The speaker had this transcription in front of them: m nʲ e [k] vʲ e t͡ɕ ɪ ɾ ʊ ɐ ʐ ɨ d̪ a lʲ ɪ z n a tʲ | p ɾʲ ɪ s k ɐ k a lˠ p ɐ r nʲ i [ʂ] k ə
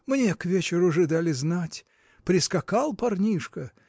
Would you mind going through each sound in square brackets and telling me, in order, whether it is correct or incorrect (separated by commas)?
correct, correct